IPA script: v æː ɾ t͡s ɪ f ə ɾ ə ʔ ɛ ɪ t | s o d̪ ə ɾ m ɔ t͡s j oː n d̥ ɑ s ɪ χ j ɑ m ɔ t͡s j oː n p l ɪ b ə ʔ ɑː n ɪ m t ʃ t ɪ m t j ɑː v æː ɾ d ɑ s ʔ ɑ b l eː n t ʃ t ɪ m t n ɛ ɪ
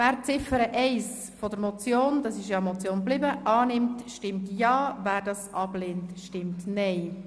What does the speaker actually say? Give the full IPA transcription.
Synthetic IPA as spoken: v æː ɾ t͡s ɪ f ə ɾ ə ʔ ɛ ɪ s | f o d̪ ə ɾ m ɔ t͡s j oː n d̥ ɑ s ɪ ʃ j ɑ m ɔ t͡s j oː n b l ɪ b ə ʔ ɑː n ɪ m t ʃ t ɪ m t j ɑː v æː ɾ d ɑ s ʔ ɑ b l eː n t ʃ t ɪ m t n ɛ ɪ